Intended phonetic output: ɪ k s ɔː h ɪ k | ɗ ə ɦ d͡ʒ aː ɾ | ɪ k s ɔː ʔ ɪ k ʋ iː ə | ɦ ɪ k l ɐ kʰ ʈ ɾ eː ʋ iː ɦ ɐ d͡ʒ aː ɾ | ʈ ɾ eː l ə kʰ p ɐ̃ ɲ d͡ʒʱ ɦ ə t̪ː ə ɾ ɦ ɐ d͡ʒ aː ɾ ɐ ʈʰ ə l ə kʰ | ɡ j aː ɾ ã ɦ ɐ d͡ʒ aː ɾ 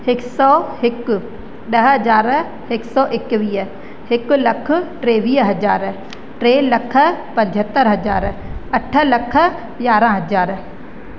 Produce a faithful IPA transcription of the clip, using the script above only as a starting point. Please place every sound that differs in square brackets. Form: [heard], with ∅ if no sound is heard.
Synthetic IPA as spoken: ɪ k s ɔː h ɪ k | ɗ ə ɦ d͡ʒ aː ɾ | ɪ k s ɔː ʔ ɪ k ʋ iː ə | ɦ ɪ k l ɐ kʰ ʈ ɾ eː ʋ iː ɦ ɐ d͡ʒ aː ɾ | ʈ ɾ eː l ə kʰ p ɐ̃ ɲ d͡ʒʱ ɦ ə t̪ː ə ɾ ɦ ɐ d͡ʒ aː ɾ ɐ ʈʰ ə l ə kʰ | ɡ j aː ɾ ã ɦ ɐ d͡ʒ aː ɾ